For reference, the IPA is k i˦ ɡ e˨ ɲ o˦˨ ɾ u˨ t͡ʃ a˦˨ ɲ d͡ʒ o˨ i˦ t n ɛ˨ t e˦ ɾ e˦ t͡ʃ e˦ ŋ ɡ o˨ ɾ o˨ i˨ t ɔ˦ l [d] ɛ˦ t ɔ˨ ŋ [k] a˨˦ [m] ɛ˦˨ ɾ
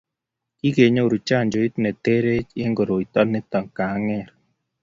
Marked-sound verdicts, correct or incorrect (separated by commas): incorrect, correct, incorrect